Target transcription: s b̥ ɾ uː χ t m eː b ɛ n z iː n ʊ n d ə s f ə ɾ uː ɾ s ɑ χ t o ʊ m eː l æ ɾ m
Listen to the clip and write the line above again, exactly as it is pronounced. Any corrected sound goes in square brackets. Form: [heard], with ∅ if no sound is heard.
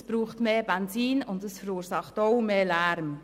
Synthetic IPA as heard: s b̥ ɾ uː χ t m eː b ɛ n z iː n ʊ n d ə s f ə ɾ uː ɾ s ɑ χ t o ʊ m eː l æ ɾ m